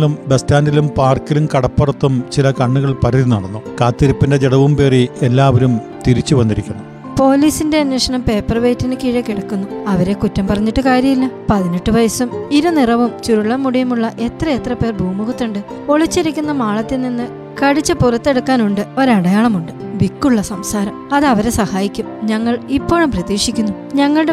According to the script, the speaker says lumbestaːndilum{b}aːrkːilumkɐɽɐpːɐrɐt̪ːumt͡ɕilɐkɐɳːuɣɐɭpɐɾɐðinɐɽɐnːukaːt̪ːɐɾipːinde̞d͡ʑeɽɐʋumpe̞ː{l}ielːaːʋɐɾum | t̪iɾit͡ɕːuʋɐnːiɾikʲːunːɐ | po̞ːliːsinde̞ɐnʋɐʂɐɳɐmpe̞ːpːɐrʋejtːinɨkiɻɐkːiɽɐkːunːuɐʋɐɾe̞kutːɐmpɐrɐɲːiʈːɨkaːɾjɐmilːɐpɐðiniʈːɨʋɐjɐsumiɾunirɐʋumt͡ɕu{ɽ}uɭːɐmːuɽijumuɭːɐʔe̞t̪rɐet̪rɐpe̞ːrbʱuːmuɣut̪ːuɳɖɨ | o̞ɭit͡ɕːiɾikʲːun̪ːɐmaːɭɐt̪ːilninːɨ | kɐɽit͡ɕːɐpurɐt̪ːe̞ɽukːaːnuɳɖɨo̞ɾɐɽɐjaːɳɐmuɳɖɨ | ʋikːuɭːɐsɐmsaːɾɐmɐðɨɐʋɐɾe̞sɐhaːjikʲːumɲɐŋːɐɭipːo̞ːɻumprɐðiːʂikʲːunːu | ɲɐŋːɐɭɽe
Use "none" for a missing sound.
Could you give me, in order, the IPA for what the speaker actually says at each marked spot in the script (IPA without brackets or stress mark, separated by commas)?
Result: p, r, ɾ